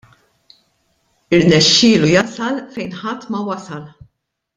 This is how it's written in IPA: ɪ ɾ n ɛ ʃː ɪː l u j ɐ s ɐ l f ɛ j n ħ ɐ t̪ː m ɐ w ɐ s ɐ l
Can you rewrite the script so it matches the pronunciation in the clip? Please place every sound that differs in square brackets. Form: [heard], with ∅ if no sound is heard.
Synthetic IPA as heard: ɪ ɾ n ɛ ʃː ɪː l u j ɐ s ɐ l f ɛ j n ħ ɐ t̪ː m ɐ w ɐ s ɐ l